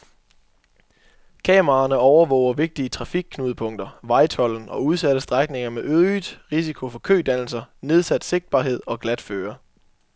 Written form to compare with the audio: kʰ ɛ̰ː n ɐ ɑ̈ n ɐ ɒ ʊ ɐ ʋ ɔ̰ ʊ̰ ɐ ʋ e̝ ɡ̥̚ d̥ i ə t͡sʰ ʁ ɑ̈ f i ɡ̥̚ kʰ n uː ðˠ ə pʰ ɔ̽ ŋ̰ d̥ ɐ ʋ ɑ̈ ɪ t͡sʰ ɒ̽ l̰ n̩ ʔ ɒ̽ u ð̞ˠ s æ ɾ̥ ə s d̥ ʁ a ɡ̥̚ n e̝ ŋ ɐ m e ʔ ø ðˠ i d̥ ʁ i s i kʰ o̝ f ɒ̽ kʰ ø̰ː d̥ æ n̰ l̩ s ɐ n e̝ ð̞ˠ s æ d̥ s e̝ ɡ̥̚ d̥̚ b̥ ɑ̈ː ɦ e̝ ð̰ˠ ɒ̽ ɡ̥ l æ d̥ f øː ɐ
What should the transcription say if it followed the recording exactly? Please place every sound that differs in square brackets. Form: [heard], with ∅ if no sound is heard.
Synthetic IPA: kʰ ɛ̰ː [m] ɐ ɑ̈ n [ə] ɒ ʊ ɐ ʋ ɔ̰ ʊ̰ ɐ ʋ e̝ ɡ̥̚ d̥ i ə t͡sʰ ʁ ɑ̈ f i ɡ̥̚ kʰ n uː ðˠ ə pʰ ɔ̽ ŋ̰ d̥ ɐ ʋ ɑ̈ ɪ t͡sʰ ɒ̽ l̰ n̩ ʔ ɒ̽ u ð̞ˠ s æ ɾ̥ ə s d̥ ʁ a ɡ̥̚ n e̝ ŋ ɐ m e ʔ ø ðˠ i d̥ ʁ i s i kʰ o̝ f ɒ̽ kʰ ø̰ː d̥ æ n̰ l̩ s ɐ n e̝ ð̞ˠ s æ d̥ s e̝ ɡ̥̚ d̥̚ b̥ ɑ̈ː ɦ e̝ ð̰ˠ ɒ̽ ɡ̥ l æ d̥ f øː ɐ